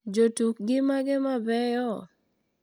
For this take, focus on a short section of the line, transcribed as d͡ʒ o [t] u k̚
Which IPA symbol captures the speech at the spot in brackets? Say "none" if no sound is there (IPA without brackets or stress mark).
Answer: t